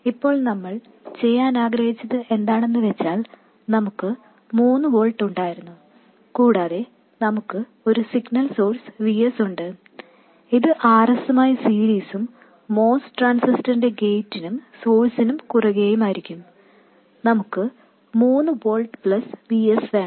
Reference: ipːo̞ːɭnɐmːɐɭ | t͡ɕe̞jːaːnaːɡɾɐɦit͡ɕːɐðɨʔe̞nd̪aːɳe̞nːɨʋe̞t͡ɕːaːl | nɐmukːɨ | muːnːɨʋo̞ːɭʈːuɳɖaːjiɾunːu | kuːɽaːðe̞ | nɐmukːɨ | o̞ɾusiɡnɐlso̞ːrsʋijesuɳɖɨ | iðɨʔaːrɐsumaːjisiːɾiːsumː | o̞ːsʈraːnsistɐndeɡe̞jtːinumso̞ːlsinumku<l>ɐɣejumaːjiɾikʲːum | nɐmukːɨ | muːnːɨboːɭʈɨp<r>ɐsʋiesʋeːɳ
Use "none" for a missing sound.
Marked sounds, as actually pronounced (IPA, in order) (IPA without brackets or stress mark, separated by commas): r, ɭ